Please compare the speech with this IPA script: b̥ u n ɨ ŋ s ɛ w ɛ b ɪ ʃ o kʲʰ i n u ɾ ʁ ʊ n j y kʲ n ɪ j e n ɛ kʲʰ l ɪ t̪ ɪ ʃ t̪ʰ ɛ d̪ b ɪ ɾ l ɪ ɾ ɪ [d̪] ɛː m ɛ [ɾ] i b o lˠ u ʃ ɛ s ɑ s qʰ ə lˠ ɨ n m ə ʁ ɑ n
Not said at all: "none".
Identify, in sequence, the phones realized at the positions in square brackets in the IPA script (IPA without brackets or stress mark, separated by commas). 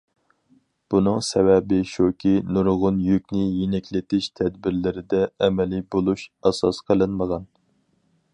d̪, l